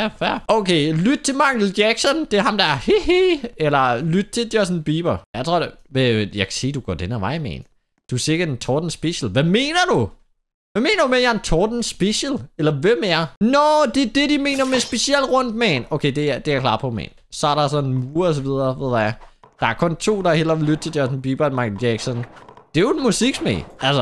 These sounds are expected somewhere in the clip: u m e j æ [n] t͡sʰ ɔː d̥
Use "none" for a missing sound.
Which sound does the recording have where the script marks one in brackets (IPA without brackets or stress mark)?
n